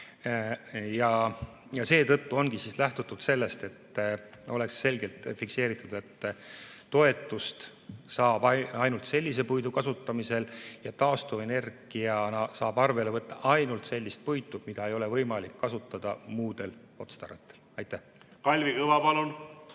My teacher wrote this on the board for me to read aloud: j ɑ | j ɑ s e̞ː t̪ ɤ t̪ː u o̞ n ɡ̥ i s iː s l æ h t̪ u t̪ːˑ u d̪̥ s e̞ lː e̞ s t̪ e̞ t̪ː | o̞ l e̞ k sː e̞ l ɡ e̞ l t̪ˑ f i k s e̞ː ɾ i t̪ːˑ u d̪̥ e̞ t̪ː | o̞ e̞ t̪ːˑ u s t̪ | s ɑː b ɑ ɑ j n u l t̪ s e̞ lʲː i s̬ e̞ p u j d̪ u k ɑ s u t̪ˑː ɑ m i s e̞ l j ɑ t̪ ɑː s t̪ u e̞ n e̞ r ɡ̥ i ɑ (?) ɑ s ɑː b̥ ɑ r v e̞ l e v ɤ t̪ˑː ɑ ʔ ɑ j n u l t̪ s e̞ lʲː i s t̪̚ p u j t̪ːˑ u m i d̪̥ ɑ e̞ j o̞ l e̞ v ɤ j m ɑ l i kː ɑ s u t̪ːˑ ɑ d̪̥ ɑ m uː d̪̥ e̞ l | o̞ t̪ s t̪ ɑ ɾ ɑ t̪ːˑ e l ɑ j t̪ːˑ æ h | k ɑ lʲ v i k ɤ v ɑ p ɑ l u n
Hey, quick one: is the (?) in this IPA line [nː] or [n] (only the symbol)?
n